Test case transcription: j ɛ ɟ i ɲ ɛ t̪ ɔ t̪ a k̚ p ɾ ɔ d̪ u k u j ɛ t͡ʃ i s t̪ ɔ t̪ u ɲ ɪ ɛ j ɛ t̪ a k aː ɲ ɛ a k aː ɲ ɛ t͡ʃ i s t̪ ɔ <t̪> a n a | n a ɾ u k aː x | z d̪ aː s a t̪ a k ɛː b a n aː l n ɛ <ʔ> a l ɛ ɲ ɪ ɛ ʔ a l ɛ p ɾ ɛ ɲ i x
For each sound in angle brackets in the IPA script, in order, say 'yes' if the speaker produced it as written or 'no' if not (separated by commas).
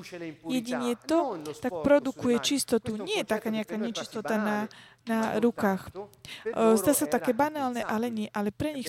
yes, yes